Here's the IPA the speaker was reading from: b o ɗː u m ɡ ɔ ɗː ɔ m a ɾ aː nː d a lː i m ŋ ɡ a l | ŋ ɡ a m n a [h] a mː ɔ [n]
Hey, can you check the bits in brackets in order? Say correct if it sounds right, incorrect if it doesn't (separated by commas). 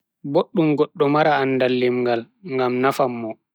incorrect, incorrect